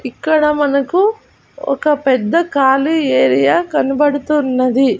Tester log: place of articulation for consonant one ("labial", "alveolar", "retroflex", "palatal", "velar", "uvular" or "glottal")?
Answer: velar